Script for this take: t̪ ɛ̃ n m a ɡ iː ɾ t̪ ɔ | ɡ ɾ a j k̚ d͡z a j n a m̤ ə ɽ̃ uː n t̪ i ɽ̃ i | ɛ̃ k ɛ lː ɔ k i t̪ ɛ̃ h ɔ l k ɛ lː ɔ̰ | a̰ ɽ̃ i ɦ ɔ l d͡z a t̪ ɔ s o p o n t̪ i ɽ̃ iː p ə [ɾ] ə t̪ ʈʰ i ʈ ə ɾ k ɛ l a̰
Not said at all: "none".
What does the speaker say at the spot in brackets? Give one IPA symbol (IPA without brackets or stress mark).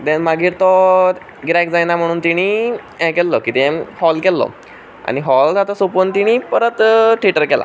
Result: ɾ